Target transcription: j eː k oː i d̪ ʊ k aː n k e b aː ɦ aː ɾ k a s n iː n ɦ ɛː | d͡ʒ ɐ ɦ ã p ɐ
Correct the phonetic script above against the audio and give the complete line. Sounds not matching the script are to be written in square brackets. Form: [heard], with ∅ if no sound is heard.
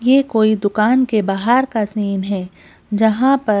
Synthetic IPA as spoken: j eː k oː i d̪ ʊ k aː n k e b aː ɦ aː ɾ k a s n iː n ɦ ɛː | d͡ʒ ɐ ɦ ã p ɐ

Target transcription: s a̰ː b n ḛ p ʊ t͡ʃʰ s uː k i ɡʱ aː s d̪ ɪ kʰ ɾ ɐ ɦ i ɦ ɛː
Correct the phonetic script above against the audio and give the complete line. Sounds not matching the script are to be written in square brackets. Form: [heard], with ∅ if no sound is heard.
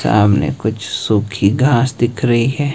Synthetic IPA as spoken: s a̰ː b n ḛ [k] ʊ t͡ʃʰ s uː [kʰ] i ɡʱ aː s d̪ ɪ kʰ ɾ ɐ ɦ i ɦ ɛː

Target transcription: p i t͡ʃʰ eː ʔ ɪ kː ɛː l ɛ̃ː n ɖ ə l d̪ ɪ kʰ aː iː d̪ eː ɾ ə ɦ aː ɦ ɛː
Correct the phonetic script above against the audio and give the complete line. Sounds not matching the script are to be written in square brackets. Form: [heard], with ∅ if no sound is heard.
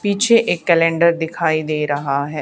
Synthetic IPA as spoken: p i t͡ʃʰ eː ʔ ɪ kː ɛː l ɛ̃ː [ɳ] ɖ ə [ɾ] d̪ ɪ kʰ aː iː d̪ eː ɾ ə ɦ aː ɦ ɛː

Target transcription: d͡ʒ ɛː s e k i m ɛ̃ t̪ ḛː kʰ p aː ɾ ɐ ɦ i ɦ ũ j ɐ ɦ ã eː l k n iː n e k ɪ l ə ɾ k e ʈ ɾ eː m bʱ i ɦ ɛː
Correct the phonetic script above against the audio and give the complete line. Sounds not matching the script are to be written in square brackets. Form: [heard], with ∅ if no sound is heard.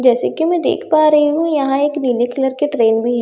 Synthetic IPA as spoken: d͡ʒ ɛː s e k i m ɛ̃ [d̪] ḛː kʰ p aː ɾ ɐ ɦ i ɦ ũ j ɐ ɦ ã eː [∅] k n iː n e k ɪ l ə ɾ k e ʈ ɾ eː [n] bʱ i ɦ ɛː

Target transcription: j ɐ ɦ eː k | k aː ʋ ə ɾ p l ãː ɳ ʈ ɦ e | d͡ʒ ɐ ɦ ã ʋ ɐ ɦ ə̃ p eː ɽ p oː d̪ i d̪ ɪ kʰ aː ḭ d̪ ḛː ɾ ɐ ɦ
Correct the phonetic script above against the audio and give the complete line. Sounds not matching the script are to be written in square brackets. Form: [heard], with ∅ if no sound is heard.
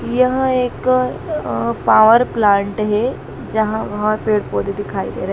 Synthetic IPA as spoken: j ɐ ɦ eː k | [p] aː ʋ ə ɾ p l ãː ɳ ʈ ɦ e | d͡ʒ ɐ ɦ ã ʋ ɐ ɦ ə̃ p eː ɽ p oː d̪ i d̪ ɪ kʰ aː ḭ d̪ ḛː ɾ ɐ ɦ

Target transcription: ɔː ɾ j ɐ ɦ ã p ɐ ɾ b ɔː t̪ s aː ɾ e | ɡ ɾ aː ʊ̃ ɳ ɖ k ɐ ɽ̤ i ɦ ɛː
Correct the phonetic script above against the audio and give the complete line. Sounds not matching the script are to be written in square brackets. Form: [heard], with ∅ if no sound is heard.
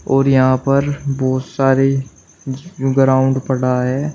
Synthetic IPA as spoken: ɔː ɾ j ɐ ɦ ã p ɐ ɾ b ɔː t̪ s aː ɾ e | ɡ ɾ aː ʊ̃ ɳ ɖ [p] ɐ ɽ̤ [a] ɦ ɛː

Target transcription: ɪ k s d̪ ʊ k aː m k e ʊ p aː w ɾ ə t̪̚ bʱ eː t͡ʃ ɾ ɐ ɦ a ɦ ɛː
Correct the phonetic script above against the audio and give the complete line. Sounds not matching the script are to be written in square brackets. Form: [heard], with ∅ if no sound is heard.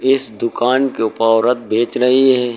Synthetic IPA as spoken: ɪ [∅] s d̪ ʊ k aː [n] k e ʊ p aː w ɾ ə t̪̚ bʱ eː t͡ʃ ɾ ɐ ɦ [i] ɦ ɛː

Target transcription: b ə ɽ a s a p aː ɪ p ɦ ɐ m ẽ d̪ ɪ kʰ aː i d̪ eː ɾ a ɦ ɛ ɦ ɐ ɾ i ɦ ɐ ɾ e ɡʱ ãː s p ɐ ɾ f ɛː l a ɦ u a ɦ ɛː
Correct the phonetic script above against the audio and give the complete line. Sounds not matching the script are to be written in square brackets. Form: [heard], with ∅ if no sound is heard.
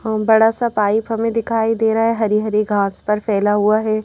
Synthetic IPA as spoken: b [ɐ] ɽ a s a p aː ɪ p ɦ ɐ m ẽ d̪ ɪ kʰ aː i d̪ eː ɾ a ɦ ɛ ɦ ɐ ɾ i ɦ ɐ ɾ [i] ɡʱ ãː s p ɐ ɾ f ɛː l a ɦ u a ɦ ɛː

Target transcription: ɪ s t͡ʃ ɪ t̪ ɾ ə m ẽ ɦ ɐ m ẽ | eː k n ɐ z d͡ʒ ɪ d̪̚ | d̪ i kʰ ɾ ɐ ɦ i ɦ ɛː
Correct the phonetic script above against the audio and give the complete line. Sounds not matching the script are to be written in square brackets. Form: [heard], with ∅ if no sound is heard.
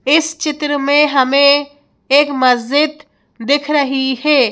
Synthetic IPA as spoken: ɪ s t͡ʃ ɪ t̪ ɾ ə m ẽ ɦ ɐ m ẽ | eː k [m] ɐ z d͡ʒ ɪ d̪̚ | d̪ [ɪ] kʰ ɾ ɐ ɦ i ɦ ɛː

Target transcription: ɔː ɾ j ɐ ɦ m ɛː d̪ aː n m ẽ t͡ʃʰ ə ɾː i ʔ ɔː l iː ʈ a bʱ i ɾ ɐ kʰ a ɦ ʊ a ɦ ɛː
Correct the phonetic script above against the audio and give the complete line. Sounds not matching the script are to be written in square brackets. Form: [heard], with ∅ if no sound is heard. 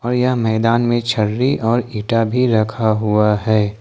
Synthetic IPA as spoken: ɔː ɾ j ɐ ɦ m ɛː d̪ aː n m ẽ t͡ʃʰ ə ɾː i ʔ ɔː [ɾ] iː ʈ a bʱ i ɾ ɐ kʰ a ɦ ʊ a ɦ ɛː

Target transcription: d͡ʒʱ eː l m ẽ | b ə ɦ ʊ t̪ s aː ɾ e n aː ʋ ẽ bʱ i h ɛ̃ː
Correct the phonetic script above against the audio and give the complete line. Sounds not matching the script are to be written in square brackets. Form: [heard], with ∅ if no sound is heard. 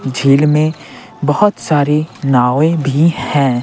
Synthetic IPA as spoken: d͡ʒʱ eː l m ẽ | b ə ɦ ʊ t̪ s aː ɾ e n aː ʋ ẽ bʱ i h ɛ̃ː

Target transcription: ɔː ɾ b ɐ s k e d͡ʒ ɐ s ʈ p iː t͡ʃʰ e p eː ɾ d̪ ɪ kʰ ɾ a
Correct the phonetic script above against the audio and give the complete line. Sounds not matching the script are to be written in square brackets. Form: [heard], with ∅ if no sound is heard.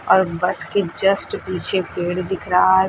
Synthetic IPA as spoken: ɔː ɾ b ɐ s k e d͡ʒ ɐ s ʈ p iː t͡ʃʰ e p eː [ɽ] d̪ ɪ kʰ ɾ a

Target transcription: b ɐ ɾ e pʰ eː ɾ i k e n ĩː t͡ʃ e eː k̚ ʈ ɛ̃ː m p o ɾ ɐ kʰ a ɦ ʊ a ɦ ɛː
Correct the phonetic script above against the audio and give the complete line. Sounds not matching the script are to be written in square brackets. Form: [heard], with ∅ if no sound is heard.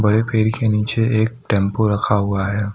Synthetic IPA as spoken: b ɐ ɾ e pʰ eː ɾ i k e n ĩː t͡ʃ e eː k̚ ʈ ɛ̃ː m p o ɾ ɐ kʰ a ɦ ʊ a ɦ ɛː

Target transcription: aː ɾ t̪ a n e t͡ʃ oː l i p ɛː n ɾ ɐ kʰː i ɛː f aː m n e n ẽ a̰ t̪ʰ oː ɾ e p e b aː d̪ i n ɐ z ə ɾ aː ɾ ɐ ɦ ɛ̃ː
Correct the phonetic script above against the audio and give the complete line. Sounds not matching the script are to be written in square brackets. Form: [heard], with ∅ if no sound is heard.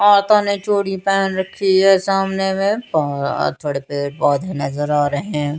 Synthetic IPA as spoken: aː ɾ t̪ a n e t͡ʃ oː [ɽ] i p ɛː n ɾ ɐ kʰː i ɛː [s] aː m n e [m] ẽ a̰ t̪ʰ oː [ɽ] e p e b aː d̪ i n ɐ z ə ɾ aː ɾ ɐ ɦ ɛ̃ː

